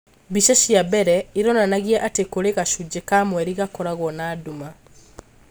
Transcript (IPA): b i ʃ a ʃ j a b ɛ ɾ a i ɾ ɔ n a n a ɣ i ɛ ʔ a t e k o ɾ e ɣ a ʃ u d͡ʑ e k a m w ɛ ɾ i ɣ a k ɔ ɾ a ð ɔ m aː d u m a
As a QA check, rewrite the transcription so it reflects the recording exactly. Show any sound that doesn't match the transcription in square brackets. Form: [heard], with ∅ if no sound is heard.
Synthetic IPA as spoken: b i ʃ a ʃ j a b ɛ ɾ [ɛ] i ɾ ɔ n a n a ɣ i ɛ ʔ a t e k o ɾ e ɣ a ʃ u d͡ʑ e k a m w ɛ ɾ i ɣ a k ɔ ɾ a [ɣ] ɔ [n] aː d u m a